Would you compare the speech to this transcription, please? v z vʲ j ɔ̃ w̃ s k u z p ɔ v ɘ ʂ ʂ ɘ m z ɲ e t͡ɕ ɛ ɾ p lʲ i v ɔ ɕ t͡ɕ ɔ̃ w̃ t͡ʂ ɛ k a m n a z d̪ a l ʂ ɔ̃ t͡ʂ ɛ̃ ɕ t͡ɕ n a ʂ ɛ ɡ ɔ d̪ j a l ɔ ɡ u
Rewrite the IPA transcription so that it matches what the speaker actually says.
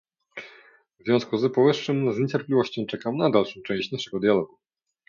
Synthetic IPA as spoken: v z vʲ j ɔ̃ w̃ s k u z p ɔ v ɘ ʂ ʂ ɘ m z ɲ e t͡ɕ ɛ ɾ p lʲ i v ɔ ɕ t͡ɕ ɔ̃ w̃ t͡ʂ ɛ k a m n a d̪ a l ʂ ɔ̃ t͡ʂ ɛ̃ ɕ t͡ɕ n a ʂ ɛ ɡ ɔ d̪ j a l ɔ ɡ u